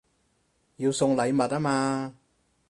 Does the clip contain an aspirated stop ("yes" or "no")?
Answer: no